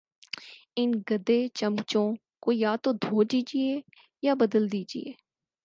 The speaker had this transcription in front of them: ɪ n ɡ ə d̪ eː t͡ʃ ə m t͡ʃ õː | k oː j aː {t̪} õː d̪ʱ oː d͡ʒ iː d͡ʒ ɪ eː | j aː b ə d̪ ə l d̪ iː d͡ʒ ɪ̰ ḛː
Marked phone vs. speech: correct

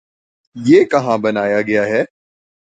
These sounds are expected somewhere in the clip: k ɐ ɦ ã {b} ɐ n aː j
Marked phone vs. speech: correct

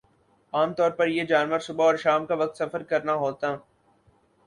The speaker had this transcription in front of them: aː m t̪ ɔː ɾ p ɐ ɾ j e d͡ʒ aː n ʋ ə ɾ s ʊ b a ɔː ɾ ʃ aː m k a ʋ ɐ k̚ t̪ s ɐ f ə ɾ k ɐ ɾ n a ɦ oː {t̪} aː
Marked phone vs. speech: correct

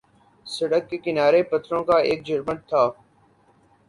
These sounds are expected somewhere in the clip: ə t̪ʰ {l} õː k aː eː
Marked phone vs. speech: incorrect: ɾ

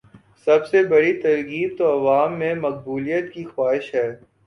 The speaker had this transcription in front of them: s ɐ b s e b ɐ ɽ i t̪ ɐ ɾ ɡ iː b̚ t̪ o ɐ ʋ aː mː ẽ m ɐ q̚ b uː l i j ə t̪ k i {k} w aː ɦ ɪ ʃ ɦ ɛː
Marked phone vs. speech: incorrect: x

